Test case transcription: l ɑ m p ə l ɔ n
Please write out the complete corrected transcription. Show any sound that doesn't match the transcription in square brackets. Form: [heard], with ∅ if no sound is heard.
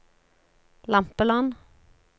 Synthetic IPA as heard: l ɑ m p ə l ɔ n